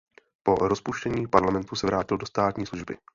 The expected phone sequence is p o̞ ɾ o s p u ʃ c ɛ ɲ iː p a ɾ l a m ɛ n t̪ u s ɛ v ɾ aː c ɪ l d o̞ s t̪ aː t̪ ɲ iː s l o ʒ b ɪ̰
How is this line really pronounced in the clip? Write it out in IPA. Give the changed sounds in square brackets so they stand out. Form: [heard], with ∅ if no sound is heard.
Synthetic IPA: p o̞ ɾ o s p u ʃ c ɛ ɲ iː p a ɾ l a m ɛ n t̪ u s ɛ v ɾ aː c ɪ l d o̞ s t̪ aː t̪ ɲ iː s l [u] ʒ b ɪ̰